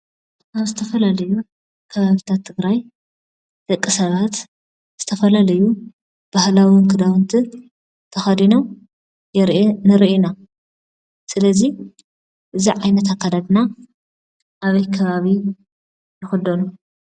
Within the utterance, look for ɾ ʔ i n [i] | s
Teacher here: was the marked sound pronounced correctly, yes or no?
no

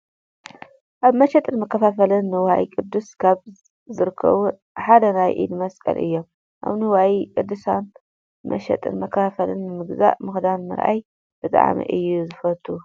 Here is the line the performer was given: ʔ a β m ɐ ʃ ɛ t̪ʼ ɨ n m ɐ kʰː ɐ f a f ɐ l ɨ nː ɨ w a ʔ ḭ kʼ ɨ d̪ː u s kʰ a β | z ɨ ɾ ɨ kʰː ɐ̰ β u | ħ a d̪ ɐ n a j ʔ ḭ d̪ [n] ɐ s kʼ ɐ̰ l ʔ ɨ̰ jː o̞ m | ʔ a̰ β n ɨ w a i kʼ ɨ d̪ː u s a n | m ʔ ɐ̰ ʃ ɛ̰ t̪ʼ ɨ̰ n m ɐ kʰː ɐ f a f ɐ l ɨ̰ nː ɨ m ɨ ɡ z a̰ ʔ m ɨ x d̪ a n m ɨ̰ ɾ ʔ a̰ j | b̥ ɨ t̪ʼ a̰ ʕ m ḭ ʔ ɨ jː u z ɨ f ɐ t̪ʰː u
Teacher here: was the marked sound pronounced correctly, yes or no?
no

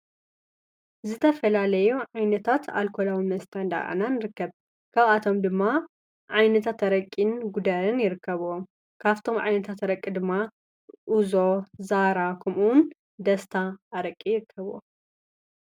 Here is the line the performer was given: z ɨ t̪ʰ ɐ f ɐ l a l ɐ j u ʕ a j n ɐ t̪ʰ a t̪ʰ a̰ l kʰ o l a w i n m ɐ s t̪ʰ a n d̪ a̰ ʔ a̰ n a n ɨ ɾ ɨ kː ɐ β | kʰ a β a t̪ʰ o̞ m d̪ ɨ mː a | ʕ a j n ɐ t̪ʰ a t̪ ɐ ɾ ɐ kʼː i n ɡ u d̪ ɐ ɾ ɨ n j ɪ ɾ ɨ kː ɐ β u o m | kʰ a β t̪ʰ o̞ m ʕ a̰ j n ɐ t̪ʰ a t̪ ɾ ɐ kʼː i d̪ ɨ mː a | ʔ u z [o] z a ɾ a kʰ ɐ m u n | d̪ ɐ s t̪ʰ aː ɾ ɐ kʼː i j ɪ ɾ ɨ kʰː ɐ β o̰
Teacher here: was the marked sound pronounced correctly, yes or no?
yes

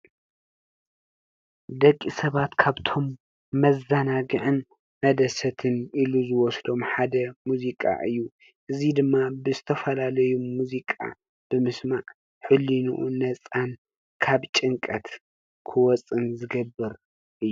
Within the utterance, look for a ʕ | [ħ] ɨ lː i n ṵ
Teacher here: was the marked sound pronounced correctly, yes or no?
yes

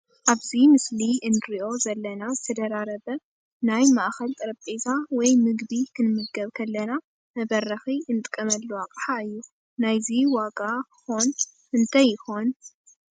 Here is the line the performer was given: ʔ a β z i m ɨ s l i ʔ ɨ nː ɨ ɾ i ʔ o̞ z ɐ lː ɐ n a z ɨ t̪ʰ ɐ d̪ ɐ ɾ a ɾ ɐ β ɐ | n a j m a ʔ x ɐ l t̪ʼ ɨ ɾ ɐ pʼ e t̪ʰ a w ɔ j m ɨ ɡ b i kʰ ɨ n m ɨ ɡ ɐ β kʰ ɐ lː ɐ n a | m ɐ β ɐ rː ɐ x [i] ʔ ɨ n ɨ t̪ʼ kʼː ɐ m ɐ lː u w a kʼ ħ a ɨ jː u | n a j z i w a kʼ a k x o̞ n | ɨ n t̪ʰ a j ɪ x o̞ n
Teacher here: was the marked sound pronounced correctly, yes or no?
yes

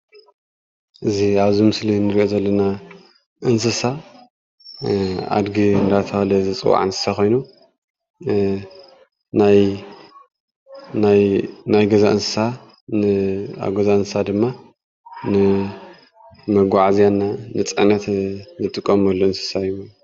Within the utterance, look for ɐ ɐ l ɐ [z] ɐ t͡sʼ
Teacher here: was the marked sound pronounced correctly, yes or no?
yes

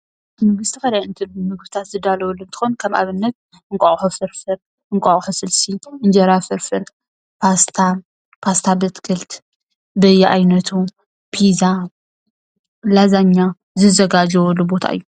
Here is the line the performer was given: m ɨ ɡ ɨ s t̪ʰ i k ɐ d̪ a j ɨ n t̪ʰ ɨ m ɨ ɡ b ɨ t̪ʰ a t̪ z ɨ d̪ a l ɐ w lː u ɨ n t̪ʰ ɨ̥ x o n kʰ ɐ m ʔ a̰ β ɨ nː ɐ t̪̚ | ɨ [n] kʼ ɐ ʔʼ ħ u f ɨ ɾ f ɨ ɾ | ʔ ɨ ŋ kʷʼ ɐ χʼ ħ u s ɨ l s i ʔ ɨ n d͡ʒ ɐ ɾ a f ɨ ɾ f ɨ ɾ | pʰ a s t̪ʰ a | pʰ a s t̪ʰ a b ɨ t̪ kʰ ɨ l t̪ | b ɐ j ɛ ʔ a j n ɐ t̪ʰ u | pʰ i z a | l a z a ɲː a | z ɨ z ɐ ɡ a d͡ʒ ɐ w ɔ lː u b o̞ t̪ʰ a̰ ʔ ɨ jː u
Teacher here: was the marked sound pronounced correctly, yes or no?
no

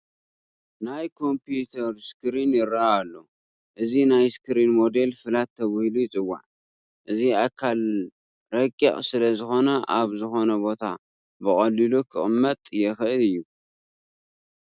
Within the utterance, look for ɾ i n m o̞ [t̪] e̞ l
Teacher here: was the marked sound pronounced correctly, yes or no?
no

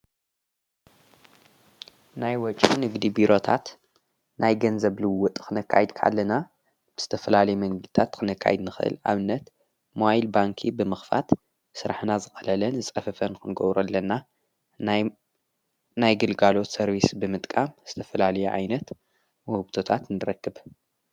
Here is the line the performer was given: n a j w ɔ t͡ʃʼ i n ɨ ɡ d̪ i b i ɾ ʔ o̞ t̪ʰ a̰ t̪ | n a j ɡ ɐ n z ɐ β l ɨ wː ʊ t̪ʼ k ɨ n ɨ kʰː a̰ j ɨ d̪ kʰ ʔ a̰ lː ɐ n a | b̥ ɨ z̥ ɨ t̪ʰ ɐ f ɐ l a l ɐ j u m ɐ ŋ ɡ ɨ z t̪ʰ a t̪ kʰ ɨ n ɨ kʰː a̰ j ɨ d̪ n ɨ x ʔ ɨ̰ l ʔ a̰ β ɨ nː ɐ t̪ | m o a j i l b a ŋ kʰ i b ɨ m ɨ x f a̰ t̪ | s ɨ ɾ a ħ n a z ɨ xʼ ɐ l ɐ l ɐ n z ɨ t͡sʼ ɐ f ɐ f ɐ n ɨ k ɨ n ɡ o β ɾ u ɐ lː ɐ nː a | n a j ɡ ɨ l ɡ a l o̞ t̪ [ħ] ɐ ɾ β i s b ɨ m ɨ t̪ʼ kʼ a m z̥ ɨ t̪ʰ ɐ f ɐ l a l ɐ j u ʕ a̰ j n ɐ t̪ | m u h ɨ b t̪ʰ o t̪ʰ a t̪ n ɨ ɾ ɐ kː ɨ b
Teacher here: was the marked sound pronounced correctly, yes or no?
no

